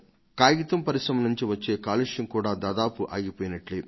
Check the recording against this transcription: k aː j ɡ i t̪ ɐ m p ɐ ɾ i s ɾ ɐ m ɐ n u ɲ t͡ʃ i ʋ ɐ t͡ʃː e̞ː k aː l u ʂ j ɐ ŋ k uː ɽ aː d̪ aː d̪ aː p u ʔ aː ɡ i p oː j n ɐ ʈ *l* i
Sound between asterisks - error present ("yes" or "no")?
no